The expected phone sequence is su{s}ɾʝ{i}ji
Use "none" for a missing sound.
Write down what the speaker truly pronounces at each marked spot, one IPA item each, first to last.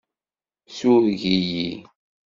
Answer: none, i

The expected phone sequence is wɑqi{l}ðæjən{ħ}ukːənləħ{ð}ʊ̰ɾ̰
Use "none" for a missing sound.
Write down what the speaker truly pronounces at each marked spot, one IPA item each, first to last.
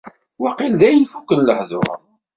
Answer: l, f, ð

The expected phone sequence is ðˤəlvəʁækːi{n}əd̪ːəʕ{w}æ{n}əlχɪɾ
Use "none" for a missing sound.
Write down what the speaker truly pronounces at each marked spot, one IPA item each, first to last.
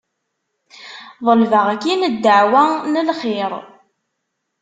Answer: n, w, n

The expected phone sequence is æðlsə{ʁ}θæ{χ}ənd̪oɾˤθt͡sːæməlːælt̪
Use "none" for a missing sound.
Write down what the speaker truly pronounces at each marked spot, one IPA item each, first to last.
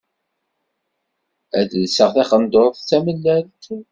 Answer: ʁ, χ

